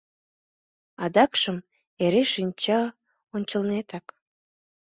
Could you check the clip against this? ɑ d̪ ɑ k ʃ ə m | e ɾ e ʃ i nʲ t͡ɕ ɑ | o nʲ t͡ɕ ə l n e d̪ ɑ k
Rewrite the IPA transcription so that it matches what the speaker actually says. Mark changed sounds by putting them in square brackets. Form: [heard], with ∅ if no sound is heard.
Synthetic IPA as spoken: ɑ d̪ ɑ k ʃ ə m | e ɾ e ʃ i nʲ t͡ɕ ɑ | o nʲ t͡ɕ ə l n e [t̪] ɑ k